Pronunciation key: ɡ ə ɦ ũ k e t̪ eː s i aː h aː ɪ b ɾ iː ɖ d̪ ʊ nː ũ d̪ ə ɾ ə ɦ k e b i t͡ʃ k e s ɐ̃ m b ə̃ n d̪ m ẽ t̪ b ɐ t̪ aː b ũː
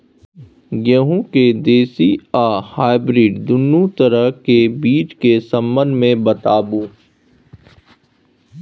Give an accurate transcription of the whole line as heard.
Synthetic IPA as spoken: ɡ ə ɦ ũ k e d̪ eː s i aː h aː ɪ b ɾ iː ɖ d̪ ʊ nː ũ t̪ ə ɾ ə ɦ k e b iː t͡ʃ k e s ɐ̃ m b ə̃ n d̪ m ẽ b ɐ t̪ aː b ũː